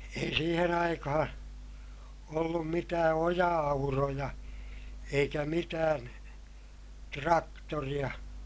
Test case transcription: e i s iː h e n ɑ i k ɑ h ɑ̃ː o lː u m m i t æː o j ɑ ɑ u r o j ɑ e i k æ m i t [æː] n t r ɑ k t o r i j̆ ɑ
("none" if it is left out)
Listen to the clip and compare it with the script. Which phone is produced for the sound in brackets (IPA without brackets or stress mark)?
æː